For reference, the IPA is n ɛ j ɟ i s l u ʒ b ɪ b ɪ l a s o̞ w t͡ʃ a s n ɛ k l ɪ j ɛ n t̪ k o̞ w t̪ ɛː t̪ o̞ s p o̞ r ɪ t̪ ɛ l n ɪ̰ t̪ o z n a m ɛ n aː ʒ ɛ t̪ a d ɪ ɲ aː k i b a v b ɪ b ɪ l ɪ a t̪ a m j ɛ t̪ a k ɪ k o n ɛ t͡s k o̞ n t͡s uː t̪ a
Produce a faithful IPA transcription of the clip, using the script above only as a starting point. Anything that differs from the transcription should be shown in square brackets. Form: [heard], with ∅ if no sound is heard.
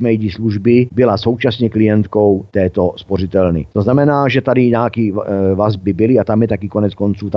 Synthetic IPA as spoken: [m] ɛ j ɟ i s l u ʒ b ɪ b ɪ l a s o̞ w t͡ʃ a s [ɲ] ɛ k l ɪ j ɛ n t̪ k o̞ w t̪ ɛː t̪ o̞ s p o̞ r ɪ t̪ ɛ l n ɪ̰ t̪ o z n a m ɛ n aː ʒ ɛ t̪ a d ɪ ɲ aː k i [v] a [z] b ɪ b ɪ l ɪ a t̪ a m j ɛ t̪ a k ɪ k o n ɛ t͡s k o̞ n t͡s uː t̪ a